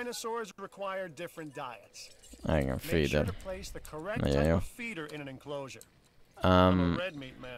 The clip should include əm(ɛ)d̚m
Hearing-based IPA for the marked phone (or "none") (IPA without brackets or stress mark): ɛ